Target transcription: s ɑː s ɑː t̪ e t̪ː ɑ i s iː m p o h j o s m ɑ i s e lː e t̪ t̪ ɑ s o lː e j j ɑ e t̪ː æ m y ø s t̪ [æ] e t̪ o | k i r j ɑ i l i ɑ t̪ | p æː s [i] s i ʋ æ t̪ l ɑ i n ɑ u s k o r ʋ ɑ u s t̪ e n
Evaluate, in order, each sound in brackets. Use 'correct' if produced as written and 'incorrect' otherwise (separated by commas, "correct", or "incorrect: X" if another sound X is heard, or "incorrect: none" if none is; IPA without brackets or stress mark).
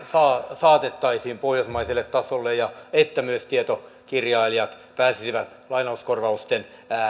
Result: incorrect: i, correct